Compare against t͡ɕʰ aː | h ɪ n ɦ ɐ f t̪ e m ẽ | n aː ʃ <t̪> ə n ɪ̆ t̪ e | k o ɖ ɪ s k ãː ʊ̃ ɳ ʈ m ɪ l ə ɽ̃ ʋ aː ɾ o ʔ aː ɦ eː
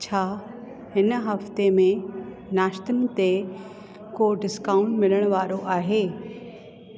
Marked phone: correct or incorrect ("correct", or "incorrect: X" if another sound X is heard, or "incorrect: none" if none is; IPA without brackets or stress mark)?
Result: correct